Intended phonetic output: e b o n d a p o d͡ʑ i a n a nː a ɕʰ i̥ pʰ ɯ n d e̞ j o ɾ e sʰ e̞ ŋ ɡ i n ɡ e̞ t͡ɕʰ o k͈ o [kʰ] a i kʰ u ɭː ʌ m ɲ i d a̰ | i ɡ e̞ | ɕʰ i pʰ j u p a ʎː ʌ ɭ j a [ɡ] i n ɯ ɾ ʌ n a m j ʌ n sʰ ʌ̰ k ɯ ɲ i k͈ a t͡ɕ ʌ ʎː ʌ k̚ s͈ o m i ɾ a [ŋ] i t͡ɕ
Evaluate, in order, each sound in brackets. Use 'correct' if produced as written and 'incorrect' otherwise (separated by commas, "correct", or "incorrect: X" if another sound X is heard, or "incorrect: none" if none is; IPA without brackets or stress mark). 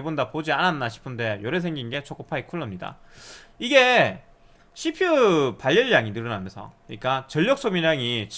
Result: incorrect: pʰ, incorrect: ŋ, correct